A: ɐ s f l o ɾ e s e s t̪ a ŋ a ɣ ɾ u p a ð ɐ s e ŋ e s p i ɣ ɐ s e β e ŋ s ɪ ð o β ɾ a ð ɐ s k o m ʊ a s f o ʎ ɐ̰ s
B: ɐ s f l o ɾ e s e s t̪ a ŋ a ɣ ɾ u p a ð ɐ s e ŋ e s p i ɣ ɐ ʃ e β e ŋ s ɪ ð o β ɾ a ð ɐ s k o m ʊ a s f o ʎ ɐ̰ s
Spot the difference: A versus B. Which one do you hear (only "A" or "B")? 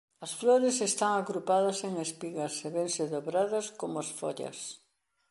A